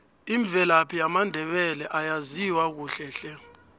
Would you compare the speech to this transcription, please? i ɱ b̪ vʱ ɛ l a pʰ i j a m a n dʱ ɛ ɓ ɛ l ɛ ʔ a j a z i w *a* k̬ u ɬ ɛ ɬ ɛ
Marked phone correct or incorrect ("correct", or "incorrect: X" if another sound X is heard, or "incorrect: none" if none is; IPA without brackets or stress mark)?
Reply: correct